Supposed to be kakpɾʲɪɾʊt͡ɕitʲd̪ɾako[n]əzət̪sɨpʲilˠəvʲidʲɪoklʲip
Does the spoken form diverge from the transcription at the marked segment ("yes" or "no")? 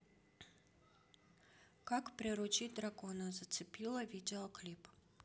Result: no